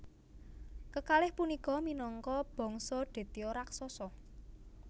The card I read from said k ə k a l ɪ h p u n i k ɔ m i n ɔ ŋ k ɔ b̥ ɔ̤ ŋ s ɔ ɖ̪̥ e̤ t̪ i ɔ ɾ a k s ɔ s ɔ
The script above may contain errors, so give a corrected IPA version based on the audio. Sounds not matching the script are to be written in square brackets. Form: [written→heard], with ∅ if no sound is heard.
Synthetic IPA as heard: k ə k a l ɪ h p u n i k ɔ m i n ɔ ŋ k ɔ b̥ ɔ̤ ŋ s ɔ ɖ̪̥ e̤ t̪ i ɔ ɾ a k s ɔ s ɔ